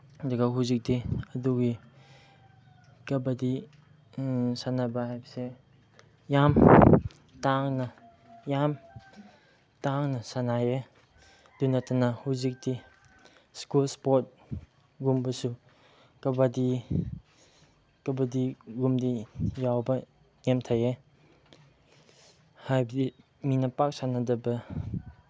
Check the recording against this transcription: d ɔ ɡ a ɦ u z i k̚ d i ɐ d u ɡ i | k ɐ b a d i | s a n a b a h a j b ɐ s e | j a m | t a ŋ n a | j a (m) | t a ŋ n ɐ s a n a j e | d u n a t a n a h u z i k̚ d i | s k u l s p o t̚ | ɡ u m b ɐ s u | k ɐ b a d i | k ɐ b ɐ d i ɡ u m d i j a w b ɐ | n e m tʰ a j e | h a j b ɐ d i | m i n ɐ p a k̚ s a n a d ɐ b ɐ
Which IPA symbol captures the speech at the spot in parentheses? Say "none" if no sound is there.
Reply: m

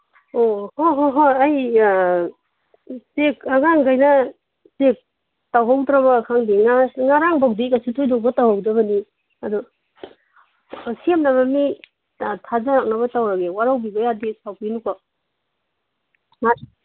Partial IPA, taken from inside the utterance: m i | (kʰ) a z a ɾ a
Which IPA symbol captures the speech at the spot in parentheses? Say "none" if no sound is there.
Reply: tʰ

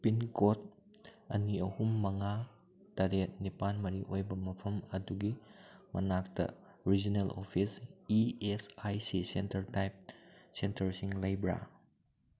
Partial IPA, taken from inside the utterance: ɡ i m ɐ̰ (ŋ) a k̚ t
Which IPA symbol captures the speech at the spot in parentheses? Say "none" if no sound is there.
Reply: n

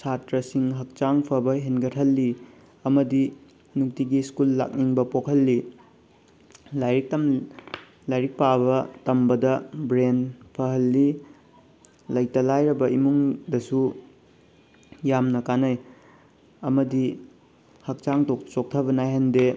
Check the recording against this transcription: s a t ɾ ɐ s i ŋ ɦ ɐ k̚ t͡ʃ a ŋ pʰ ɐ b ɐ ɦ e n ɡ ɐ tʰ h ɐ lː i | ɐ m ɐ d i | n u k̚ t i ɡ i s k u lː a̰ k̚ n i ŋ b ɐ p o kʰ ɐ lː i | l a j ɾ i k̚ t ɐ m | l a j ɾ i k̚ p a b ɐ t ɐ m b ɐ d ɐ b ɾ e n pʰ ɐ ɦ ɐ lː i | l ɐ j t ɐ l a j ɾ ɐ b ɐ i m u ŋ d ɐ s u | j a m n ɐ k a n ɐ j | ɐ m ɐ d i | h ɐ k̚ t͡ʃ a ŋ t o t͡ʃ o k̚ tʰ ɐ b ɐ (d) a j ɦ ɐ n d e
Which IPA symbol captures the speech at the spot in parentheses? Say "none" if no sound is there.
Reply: n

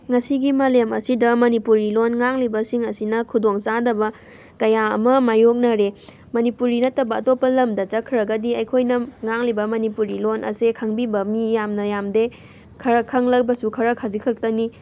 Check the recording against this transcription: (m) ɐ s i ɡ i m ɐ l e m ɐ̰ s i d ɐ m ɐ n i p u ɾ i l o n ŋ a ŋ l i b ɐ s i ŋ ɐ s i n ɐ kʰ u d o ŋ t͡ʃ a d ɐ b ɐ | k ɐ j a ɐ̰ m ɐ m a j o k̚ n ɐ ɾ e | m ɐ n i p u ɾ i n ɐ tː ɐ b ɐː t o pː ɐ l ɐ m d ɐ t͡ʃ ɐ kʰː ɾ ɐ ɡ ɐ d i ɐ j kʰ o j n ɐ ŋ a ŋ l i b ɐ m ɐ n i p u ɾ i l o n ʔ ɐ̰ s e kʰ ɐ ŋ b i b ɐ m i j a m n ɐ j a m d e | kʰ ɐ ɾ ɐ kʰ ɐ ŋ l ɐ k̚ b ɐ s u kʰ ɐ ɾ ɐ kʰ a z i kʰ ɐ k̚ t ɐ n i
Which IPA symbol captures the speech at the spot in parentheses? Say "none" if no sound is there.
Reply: ŋ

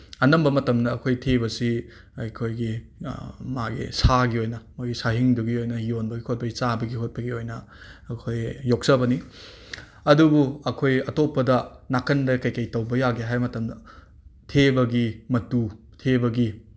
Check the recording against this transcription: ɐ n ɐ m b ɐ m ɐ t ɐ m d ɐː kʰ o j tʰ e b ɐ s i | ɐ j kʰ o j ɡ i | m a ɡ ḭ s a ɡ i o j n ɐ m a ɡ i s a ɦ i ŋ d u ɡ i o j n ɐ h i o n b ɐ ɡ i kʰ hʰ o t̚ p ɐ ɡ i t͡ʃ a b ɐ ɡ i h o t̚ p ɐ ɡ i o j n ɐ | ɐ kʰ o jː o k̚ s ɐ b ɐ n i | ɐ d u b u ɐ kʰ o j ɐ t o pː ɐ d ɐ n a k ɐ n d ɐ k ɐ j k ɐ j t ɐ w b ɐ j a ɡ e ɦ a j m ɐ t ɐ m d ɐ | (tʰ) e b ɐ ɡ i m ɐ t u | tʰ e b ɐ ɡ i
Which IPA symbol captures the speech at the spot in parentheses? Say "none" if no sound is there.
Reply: tʰ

